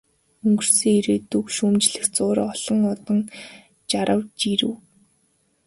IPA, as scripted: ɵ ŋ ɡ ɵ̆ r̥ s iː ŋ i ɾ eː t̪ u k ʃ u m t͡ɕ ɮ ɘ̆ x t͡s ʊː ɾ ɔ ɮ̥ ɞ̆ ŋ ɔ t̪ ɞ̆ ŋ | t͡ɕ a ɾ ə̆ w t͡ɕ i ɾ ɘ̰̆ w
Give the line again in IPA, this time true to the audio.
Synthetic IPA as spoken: ɵ ŋ ɡ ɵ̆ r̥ s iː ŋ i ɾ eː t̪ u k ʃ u m t͡ɕ ɮ ɘ̆ x t͡s ʊː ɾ ɔ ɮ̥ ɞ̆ ŋ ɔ t̪ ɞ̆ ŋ | t͡ɕ a ɾ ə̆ w t͡ɕ i ɾ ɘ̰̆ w